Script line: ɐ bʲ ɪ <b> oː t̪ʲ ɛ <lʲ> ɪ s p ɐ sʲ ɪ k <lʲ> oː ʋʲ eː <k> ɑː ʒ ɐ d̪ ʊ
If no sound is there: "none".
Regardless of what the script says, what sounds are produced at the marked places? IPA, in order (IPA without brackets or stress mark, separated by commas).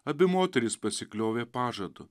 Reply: m, ɾʲ, lʲ, p